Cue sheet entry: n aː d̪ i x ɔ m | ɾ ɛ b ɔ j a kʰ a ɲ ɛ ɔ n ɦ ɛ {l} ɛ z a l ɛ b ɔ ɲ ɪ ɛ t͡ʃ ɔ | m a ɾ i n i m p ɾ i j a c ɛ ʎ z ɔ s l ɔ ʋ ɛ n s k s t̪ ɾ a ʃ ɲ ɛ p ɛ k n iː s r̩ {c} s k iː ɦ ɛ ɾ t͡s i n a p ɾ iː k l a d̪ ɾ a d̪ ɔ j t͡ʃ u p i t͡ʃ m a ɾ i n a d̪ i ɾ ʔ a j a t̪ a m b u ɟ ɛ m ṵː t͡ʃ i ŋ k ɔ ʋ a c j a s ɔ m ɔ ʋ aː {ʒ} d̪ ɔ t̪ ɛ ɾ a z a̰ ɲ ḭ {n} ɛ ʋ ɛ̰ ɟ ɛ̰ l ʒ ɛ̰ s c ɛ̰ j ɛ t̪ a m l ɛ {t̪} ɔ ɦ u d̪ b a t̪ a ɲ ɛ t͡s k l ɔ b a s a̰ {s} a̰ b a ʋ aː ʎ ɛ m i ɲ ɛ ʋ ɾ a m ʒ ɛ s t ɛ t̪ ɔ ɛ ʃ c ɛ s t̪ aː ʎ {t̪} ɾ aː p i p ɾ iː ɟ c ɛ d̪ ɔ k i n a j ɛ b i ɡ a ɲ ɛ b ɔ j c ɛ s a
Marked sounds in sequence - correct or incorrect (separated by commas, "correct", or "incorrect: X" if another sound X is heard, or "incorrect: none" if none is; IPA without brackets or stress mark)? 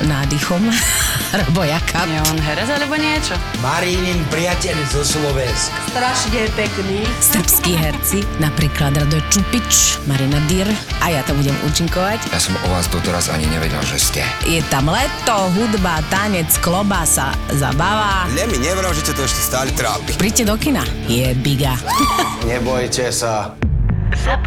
incorrect: ɾ, incorrect: p, incorrect: z, incorrect: ɲ, correct, incorrect: z, correct